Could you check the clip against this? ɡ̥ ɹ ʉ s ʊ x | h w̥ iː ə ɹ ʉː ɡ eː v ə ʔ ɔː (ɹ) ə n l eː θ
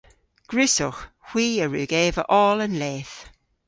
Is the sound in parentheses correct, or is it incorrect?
incorrect